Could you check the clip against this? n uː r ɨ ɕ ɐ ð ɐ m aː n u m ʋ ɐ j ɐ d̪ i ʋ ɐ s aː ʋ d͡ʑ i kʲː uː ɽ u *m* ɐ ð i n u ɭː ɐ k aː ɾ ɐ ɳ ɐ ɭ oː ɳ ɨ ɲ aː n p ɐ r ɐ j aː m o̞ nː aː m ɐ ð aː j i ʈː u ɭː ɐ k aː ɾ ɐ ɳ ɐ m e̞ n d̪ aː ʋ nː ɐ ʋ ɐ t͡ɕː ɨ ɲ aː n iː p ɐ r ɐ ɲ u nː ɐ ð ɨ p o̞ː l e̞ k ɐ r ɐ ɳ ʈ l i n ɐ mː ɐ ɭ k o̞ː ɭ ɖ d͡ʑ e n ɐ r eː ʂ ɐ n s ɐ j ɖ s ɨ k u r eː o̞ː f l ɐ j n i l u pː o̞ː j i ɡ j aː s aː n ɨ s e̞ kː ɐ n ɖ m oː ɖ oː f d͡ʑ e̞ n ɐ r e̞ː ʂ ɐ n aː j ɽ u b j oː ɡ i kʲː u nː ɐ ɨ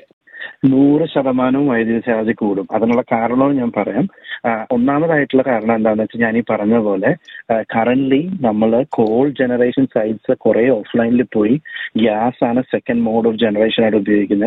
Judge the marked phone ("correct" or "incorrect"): correct